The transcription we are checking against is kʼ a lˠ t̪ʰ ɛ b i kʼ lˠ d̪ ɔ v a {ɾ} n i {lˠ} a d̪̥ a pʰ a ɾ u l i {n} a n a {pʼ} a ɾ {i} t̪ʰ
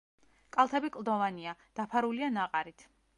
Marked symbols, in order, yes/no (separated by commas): no, no, no, no, yes